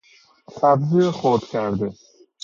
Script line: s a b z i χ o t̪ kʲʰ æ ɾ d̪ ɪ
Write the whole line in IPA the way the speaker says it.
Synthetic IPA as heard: s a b z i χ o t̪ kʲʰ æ ɾ d̪ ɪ